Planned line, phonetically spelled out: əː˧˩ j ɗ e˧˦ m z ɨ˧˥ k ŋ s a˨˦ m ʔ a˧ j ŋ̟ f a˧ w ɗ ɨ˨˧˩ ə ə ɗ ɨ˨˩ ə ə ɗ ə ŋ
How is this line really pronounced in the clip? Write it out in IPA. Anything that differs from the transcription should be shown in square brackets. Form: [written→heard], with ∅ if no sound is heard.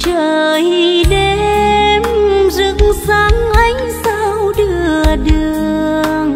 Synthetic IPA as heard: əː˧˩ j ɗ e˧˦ m z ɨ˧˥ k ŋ s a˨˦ [m→ŋ] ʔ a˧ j ŋ̟ [f→s] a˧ w ɗ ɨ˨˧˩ ə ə ɗ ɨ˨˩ ə ə [ɗ→∅] ə ŋ